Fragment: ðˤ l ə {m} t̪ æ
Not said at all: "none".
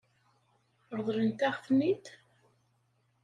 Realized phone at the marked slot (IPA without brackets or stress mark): n